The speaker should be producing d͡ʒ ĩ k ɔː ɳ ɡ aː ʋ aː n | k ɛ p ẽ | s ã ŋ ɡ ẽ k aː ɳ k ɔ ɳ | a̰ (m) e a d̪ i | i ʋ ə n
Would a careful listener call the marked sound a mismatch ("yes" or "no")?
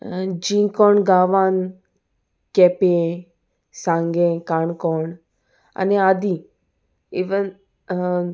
yes